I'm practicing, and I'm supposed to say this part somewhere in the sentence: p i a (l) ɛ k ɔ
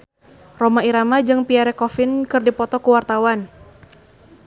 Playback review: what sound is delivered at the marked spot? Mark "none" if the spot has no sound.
ɾ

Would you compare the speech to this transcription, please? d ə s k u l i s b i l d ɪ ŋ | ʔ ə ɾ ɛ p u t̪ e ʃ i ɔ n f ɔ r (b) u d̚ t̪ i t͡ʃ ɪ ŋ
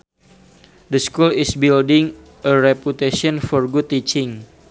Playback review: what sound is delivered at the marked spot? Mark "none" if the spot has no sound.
ɡ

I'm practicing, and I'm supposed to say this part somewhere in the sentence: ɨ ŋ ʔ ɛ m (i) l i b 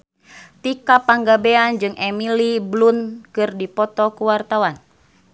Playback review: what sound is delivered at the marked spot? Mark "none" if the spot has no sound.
i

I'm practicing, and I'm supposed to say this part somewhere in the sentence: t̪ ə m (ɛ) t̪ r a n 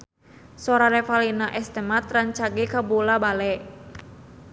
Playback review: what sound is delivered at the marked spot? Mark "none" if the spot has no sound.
a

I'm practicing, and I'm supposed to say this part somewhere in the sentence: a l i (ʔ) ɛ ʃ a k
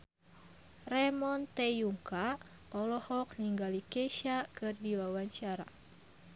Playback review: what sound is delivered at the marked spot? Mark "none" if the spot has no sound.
k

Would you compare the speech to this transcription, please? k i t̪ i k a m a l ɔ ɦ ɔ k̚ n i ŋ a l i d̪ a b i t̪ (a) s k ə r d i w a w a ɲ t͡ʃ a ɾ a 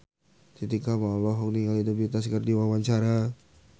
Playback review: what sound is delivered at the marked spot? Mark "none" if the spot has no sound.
a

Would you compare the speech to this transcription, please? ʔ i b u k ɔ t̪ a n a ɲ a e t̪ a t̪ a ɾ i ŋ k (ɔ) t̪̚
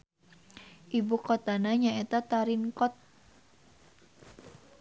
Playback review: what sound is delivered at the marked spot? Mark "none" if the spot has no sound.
ɔ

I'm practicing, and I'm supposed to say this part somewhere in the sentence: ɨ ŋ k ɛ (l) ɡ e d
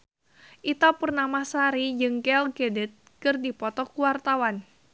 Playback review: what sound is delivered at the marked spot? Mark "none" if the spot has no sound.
l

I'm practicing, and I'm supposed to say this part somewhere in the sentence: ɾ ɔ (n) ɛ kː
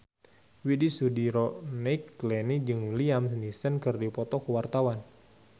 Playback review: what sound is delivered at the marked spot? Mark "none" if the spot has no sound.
n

